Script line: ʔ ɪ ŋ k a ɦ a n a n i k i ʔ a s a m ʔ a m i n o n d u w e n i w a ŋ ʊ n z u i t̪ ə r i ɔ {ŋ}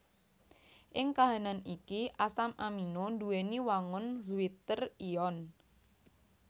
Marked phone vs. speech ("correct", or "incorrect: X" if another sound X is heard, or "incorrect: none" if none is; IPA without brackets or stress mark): incorrect: n